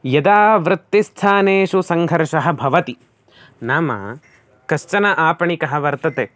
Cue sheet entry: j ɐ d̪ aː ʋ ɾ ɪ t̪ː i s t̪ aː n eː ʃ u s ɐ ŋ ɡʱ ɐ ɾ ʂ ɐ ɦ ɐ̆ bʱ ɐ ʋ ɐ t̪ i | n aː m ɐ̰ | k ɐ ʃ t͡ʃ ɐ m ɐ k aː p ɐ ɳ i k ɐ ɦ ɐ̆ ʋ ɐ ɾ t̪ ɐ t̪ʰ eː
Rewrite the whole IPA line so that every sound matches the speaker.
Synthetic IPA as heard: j ɐ d̪ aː ʋ ɾ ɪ t̪ː i s t̪ʰ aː n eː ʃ u s ɐ ŋ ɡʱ ɐ ɾ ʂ ɐ ɦ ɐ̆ bʱ ɐ ʋ ɐ t̪ i | n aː m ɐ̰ | k ɐ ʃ t͡ʃ ɐ n ɐ ʔ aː p ɐ ɳ i k ɐ ɦ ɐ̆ ʋ ɐ ɾ t̪ ɐ t̪ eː